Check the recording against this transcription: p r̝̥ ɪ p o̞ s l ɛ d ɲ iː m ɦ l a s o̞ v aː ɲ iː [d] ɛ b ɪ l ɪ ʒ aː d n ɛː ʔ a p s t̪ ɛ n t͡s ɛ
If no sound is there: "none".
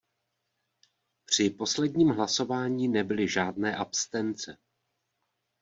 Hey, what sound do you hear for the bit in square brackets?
n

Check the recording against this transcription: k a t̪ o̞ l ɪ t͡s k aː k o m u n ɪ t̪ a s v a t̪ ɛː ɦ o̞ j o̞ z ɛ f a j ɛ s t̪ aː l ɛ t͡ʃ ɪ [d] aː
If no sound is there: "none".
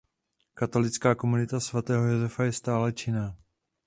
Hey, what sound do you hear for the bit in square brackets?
n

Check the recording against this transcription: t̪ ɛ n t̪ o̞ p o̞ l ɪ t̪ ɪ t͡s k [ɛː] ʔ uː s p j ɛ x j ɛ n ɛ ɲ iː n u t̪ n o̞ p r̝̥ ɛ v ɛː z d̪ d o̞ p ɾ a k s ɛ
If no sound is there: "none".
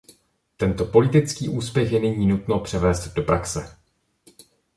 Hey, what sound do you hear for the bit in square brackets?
iː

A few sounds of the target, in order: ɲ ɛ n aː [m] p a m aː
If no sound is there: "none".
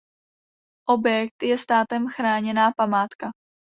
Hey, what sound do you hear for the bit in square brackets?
none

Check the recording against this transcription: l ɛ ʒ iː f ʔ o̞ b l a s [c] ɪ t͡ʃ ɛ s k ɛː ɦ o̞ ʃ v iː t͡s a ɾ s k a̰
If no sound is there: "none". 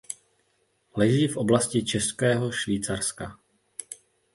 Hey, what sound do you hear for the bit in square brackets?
c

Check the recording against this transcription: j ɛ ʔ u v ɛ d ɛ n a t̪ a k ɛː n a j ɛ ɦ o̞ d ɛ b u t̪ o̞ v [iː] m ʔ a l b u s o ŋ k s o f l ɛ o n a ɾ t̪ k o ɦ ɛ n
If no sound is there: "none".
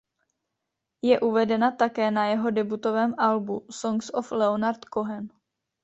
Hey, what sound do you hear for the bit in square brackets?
ɛː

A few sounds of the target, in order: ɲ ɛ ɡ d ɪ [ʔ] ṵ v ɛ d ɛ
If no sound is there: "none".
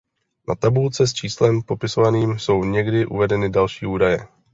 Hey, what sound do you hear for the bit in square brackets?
ʔ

